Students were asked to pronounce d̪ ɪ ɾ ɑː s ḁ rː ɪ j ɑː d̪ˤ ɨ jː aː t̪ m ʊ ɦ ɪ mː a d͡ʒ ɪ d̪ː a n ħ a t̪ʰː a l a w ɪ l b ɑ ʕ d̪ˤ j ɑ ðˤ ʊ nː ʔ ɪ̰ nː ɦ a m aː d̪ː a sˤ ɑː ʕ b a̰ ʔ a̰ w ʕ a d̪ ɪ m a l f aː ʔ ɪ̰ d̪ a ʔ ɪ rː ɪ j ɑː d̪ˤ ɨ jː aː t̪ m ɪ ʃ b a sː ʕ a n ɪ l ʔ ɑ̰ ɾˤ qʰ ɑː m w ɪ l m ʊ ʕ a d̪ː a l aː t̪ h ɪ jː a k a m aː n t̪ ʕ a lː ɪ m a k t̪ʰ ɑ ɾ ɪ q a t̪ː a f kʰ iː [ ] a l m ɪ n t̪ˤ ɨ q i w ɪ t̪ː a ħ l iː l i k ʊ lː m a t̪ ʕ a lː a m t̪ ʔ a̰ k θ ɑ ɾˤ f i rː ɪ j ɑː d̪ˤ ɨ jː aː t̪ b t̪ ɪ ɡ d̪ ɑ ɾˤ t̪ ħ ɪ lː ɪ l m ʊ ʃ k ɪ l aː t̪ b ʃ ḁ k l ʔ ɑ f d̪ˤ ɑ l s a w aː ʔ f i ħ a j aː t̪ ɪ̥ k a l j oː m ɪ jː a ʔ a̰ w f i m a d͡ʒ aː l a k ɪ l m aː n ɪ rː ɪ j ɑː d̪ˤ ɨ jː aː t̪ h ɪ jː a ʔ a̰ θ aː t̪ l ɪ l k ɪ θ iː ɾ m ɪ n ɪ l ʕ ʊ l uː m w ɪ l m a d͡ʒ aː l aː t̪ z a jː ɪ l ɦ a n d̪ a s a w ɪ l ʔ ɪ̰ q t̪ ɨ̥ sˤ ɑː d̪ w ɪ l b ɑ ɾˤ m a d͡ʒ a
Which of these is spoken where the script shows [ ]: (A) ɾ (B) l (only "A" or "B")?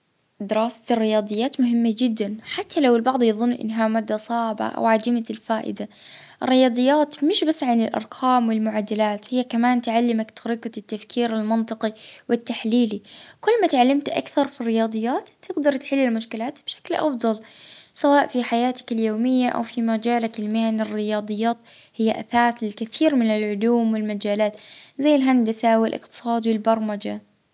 A